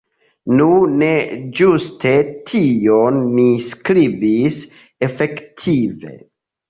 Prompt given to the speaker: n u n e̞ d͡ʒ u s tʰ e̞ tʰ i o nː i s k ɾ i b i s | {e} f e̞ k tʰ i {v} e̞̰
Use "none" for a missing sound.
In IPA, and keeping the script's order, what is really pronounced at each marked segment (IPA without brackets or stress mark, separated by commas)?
e, v